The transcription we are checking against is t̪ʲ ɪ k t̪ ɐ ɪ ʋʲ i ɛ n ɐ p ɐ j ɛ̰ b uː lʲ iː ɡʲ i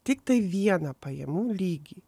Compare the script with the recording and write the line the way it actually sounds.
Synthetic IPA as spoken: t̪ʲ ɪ k t̪ ɐ ɪ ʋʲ i ɛ n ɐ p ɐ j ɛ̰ m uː lʲ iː ɡʲ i